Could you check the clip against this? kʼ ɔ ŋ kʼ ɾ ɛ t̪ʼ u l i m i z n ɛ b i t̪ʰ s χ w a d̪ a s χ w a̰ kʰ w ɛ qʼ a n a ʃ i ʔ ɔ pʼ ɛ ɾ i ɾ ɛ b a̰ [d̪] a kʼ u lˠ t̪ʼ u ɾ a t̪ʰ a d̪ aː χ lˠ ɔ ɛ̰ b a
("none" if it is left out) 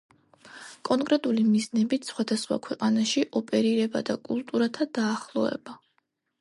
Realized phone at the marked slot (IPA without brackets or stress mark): d̪